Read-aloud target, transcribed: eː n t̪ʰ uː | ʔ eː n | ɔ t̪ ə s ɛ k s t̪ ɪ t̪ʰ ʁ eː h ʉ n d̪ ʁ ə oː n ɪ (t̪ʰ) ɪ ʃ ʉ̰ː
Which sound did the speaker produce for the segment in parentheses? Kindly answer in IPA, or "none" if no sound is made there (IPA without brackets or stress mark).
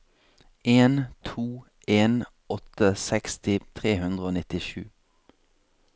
t̪